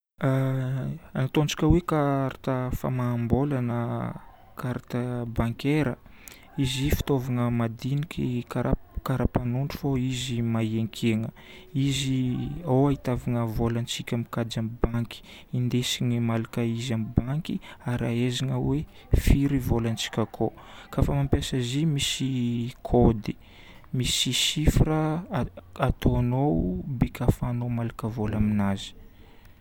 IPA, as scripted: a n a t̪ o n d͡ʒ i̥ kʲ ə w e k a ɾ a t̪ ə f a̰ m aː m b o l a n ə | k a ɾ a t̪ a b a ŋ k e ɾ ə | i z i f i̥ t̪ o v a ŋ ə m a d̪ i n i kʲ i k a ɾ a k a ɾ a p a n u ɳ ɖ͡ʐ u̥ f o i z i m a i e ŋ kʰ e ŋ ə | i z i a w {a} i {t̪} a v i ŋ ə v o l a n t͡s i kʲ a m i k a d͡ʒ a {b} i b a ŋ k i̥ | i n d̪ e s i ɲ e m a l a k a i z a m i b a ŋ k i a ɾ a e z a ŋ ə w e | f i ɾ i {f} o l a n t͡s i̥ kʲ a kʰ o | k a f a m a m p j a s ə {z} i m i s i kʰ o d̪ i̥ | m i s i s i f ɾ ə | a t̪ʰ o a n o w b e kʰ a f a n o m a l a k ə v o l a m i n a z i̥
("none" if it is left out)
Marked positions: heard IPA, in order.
a, t̪, m, v, z

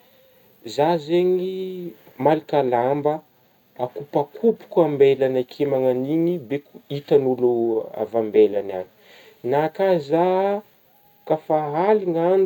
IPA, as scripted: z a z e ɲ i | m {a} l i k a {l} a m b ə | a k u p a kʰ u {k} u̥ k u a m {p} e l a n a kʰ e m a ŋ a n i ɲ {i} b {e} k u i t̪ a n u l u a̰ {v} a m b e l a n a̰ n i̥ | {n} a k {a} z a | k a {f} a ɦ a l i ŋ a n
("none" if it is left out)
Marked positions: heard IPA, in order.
a, l, p, b, i, e, v, n, a, f

